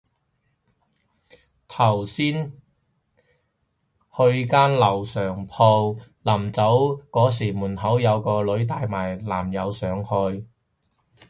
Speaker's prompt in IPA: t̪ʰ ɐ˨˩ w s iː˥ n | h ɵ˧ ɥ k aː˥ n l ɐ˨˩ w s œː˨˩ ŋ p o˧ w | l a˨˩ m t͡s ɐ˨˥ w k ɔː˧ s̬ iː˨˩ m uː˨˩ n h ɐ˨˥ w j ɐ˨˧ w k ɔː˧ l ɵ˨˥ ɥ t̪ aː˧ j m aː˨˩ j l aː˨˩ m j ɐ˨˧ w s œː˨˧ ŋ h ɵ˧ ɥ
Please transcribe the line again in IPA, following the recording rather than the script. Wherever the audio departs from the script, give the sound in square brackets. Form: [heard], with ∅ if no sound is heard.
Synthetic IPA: t̪ʰ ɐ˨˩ w s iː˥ n | h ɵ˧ ɥ k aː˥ n l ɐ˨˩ w s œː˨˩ ŋ [pʰ] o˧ w | l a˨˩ m t͡s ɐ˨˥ w k [ɔː˨˥] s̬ iː˨˩ m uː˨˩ n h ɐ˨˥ w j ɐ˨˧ w k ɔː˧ l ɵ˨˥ ɥ t̪ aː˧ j m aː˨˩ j l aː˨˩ m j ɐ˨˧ w s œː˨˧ ŋ h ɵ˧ ɥ